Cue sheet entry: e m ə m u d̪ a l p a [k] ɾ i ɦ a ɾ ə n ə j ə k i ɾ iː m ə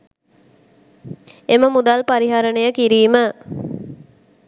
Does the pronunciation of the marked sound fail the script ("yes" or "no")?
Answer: yes